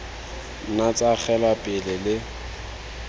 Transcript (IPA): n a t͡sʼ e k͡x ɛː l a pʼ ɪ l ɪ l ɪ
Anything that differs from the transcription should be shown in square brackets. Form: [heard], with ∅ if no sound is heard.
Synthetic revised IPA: n a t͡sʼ [a] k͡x [ɛ] l a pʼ ɪ l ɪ l ɪ